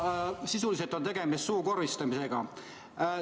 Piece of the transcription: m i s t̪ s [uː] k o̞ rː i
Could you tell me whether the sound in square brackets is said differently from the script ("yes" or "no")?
no